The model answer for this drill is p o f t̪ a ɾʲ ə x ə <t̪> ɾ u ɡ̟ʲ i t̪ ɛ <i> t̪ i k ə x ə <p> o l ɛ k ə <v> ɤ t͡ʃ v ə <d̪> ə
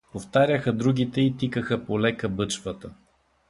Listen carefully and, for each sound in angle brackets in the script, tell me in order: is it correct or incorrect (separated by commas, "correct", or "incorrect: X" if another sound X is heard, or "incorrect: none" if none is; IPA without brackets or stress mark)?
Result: incorrect: d̪, correct, correct, incorrect: b, incorrect: t̪